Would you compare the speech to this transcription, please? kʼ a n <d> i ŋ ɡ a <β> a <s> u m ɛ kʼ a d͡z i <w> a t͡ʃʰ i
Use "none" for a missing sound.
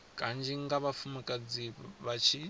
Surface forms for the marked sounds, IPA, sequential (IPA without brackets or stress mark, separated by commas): d͡ʒ, β, f, β